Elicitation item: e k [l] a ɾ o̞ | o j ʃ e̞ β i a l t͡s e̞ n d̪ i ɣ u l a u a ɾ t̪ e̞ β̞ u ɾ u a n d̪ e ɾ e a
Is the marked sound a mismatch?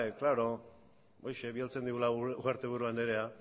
no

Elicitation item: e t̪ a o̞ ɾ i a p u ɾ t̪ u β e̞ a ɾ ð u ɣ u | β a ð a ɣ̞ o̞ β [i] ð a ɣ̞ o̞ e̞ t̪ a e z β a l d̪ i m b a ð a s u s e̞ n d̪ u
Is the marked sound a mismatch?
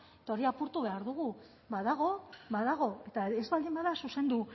yes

